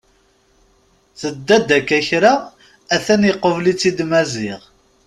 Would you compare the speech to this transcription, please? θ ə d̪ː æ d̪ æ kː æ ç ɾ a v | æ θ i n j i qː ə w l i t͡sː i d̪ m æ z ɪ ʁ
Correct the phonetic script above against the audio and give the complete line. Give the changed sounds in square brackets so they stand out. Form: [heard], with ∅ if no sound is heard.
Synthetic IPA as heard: θ ə d̪ː æ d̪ æ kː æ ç ɾ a [∅] | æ θ [æ] n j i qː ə [v] l i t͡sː i d̪ m æ z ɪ ʁ